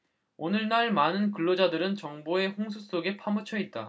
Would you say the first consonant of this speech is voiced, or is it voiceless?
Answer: voiced